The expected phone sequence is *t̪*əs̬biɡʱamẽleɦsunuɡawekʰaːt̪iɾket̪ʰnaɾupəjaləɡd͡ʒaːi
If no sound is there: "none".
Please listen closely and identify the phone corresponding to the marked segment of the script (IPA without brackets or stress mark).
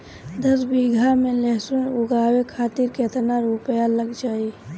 d̪